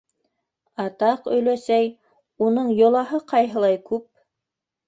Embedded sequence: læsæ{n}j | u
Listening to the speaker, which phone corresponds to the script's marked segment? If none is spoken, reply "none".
none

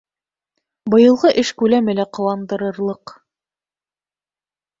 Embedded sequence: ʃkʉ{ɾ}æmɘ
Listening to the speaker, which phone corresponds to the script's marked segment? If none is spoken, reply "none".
l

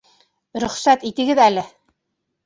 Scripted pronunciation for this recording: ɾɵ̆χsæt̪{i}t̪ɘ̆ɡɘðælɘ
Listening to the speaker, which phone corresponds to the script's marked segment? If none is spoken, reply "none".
i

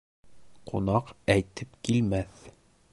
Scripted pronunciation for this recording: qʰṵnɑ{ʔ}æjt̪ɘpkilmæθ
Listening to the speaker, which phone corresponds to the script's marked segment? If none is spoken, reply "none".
q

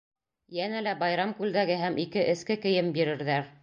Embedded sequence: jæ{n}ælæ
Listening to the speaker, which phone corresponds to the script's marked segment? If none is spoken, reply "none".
n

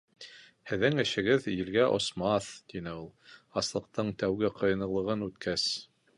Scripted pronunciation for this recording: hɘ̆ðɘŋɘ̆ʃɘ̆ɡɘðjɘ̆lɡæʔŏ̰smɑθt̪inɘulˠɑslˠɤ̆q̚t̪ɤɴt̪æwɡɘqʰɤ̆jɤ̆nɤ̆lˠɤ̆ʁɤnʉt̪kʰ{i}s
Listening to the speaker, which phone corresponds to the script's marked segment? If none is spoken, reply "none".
æ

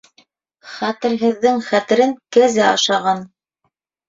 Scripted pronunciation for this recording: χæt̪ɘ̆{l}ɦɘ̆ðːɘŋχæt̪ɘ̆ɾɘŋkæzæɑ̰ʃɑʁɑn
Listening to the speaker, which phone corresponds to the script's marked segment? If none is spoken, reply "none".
ɾ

